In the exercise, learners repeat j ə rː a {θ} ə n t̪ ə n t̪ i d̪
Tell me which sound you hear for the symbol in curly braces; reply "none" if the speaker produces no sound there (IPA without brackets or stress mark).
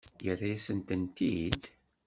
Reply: s